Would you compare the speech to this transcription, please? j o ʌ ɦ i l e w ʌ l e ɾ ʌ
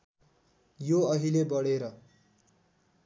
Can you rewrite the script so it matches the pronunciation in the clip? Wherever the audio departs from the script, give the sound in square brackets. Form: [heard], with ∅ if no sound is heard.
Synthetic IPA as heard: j o ʌ ɦ i l e [b] ʌ [ɽ] e ɾ ʌ